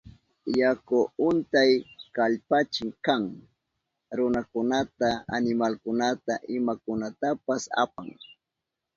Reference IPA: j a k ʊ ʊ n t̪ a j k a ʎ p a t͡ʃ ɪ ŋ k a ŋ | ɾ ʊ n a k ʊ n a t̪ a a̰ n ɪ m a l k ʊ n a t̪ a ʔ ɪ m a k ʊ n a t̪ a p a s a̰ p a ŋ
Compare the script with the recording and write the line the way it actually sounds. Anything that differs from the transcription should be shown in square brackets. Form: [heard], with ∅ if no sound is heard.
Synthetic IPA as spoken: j a k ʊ ʊ n t̪ a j k a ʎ p a t͡ʃ ɪ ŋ k a ŋ | ɾ ʊ n a k ʊ n a t̪ a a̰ n ɪ m a l k ʊ n a t̪ a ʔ ɪ m a k ʊ n a t̪ a p a s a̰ p a ŋ